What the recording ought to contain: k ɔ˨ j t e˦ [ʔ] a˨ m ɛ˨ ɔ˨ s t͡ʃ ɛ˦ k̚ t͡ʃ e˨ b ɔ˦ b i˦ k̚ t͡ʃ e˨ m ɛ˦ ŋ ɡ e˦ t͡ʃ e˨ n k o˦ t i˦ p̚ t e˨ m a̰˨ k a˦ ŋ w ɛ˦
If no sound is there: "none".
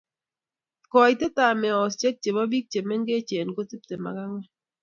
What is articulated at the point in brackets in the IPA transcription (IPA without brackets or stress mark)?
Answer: t